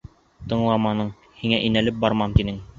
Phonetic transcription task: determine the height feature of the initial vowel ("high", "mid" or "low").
mid